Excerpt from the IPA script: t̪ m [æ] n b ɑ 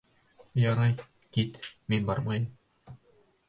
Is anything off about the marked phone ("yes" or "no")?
yes